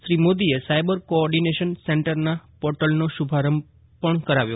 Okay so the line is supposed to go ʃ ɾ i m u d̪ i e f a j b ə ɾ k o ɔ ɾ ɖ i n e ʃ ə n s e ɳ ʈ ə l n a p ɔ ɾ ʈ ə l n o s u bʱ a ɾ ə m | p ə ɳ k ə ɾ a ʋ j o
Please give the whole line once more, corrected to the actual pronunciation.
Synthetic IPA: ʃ ɾ i m o d̪ i e s a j b ə ɾ k o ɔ ɾ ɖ i n e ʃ ə n s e ɳ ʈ ə ɾ n a p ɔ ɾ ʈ ə l n o ʃ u bʱ a ɾ ə m | p ə ɳ k ə ɾ a ʋ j o

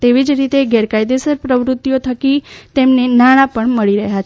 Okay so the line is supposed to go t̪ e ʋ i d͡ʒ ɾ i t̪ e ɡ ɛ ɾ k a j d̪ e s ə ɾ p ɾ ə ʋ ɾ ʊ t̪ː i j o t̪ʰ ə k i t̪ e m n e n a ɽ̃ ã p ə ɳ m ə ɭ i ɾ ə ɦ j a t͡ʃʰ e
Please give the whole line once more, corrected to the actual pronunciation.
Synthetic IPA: t̪ e ʋ i d͡ʒ ɾ i t̪ e ɡ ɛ ɾ k a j d̪ e s ə ɾ p ɾ ə ʋ ɾ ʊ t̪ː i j o t̪ʰ ə k i t̪ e m n e n a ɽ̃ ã p ə ɳ m ə ɭ i ɾ ə ɦ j a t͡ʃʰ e

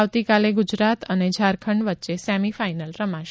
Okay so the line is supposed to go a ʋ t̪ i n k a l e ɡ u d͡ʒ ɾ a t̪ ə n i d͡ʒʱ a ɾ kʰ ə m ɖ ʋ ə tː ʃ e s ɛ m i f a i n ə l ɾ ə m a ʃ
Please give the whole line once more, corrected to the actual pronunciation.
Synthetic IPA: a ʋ t̪ i k a l e ɡ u d͡ʒ ɾ a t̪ ə n e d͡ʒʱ a ɾ kʰ ə ɳ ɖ ʋ ə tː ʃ e s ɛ m i f a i n ə l ɾ ə m a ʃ

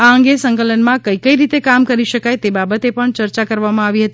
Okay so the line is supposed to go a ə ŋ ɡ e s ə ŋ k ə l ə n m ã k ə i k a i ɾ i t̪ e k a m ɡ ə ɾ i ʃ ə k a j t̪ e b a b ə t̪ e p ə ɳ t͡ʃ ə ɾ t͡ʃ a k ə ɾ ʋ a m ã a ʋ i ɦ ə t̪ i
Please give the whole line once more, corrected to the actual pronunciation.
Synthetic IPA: a ə ŋ ɡ e s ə ŋ k ə l ə n m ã k ə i k ə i ɾ i t̪ e k a m k ə ɾ i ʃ ə k a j t̪ e b a b ə t̪ e p ə ɳ t͡ʃ ə ɾ t͡ʃ a k ə ɾ ʋ a m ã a ʋ i ɦ ə t̪ i

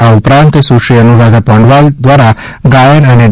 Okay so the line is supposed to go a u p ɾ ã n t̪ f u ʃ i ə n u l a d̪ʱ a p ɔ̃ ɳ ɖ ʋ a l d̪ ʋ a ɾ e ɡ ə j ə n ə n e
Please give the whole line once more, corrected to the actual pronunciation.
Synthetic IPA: a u p ɾ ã n t̪ s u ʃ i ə n u ɾ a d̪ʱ a p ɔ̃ ɳ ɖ ʋ a l d̪ ʋ a ɾ a ɡ a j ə n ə n e

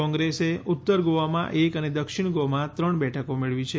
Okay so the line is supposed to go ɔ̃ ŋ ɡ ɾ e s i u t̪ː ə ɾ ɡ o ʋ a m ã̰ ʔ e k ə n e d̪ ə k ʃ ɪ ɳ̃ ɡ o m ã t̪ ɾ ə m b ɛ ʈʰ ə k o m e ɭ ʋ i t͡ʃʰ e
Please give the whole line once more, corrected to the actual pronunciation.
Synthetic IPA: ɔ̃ ŋ ɡ ɾ e s e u t̪ː ə ɾ ɡ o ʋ a m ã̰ ʔ e k ə n e d̪ ə k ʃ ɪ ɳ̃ ɡ o m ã t̪ ɾ ə ɳ b ɛ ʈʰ ə k o m e ɭ ʋ i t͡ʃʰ e

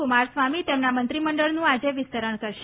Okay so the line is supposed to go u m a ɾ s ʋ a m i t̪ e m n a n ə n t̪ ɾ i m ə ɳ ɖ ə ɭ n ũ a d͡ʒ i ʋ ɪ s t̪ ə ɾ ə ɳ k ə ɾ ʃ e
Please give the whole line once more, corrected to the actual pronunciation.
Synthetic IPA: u m a ɾ s ʋ a m i t̪ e m n a m ə n t̪ ɾ i m ə ɳ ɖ ə ɭ n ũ a d͡ʒ e ʋ ɪ s t̪ ə ɾ ə ɳ k ə ɾ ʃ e

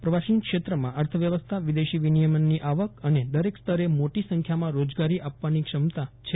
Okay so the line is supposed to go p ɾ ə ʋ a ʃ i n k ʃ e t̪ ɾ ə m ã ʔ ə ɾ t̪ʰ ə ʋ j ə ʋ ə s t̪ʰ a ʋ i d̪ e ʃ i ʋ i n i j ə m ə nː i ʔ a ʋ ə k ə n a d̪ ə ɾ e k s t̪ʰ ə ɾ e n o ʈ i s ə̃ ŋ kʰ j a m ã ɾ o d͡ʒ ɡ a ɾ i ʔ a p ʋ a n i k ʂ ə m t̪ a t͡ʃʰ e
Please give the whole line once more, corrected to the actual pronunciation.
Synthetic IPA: p ɾ ə ʋ a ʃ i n k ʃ e t̪ ɾ ə m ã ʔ ə ɾ t̪ʰ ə ʋ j ə ʋ ə s t̪ʰ a ʋ i d̪ e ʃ i ʋ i n i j ə m ə nː i ʔ a ʋ ə k ə n e d̪ ə ɾ e k s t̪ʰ ə ɾ e m o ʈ i s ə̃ ŋ kʰ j a m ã ɾ o d͡ʒ ɡ a ɾ i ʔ a p ʋ a n i k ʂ ə m t̪ a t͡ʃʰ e

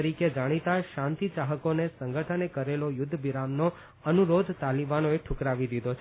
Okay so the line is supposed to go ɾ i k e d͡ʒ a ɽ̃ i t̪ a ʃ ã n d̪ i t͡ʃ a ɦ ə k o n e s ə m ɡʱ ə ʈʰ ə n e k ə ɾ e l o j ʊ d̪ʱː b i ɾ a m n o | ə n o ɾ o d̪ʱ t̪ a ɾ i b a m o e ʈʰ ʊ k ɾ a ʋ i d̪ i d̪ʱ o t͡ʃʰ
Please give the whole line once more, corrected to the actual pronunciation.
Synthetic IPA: ɾ i k e d͡ʒ a ɽ̃ i t̪ a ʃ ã n t̪ i t͡ʃ a ɦ ə k o n e s ə ŋ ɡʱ ə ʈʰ ə n e k ə ɾ e l o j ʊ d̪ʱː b i ɾ a m n o | ə n u ɾ o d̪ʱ t̪ a l i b a n o e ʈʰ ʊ k ɾ a ʋ i d̪ i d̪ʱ o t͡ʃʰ

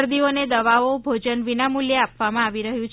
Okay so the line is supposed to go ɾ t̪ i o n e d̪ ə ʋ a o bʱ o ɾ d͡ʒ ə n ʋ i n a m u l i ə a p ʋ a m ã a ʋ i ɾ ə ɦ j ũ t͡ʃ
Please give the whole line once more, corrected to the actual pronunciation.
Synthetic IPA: ɾ d̪ i o n e d̪ ə ʋ a o bʱ o d͡ʒ ə n ʋ i n a m u l j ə a p ʋ a m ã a ʋ i ɾ ə ɦ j ũ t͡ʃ

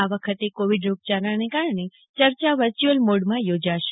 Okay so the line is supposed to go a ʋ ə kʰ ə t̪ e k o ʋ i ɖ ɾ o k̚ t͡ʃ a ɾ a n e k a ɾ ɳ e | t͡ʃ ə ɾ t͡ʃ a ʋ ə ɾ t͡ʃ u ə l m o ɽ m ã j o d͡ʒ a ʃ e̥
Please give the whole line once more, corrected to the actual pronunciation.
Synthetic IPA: a ʋ ə kʰ ə t̪ e k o ʋ i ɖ ɾ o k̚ t͡ʃ a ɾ a n e k a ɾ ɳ e | t͡ʃ ə ɾ t͡ʃ a ʋ ə ɾ t͡ʃ u ə l m o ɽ m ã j o d͡ʒ a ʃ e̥

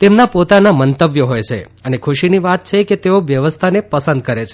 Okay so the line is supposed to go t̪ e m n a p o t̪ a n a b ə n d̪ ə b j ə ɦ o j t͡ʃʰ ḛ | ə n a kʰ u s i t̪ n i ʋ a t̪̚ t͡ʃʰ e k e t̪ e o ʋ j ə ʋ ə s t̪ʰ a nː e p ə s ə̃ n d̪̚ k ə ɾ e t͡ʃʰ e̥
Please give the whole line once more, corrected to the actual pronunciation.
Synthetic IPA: t̪ e m n a p o t̪ a n a m ə n t̪ ə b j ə ɦ o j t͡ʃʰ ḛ | ə n e kʰ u ʃ i n i ʋ a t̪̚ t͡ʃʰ e k e t̪ e o ʋ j ə ʋ ə s t̪ʰ a n e p ə s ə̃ n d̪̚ k ə ɾ e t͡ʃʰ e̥

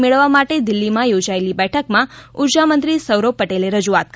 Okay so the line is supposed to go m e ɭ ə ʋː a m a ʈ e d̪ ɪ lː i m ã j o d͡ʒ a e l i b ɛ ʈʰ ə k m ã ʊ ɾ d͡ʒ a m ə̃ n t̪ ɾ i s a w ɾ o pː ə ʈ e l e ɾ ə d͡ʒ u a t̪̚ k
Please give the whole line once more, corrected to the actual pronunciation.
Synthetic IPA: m e ɭ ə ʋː a m a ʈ e d̪ ɪ lː i m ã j o d͡ʒ a e l i b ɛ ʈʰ ə k m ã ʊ ɾ d͡ʒ a m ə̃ n t̪ ɾ i s ə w ɾ o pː ə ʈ e l e ɾ ə d͡ʒ u a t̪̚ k

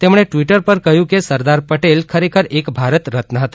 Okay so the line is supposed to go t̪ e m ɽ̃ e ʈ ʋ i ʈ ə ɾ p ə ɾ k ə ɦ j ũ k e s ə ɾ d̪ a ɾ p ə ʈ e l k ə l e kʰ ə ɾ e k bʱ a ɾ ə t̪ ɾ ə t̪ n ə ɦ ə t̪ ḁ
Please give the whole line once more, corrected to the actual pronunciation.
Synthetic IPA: t̪ e m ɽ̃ e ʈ ʋ i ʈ ə ɾ p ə ɾ k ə ɦ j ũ k e s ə ɾ d̪ a ɾ p ə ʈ e l kʰ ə ɾ e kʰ ə ɾ e k bʱ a ɾ ə t̪ ɾ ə t̪ n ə ɦ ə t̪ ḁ

